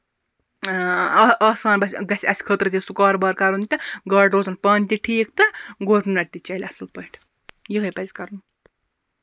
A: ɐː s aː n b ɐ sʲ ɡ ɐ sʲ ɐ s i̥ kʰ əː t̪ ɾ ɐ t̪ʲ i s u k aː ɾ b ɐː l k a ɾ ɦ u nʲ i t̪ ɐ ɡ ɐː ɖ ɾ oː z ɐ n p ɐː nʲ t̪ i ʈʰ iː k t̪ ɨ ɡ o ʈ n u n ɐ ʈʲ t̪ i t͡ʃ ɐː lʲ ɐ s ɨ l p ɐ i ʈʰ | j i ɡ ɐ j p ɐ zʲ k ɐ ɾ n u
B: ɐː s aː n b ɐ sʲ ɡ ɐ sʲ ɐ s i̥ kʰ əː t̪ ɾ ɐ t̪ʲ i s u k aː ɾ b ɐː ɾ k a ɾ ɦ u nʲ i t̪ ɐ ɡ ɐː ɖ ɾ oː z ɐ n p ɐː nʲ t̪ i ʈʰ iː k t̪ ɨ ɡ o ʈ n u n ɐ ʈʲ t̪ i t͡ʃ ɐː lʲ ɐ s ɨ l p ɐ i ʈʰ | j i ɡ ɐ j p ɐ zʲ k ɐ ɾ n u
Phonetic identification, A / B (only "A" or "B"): B